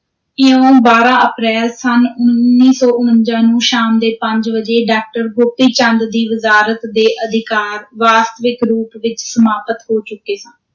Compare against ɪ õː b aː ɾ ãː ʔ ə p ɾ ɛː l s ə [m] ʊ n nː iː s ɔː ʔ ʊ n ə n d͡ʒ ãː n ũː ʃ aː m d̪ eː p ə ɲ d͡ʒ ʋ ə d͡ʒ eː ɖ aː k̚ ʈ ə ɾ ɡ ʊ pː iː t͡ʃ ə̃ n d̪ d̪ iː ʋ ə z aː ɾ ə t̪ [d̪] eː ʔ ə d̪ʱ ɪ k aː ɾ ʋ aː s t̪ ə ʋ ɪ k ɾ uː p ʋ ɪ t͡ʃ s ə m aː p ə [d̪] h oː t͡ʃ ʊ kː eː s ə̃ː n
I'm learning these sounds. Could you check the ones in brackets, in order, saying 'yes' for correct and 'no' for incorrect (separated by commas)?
no, yes, no